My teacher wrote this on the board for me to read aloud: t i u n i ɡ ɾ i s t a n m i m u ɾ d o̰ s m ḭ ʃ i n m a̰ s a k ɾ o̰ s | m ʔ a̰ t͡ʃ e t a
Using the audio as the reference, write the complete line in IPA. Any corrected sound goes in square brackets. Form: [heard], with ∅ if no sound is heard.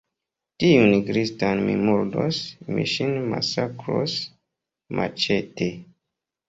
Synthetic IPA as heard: t i u n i ɡ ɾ i s t a n m i m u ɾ d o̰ s m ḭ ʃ i n m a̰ s a k ɾ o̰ s | m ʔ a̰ t͡ʃ e t [e]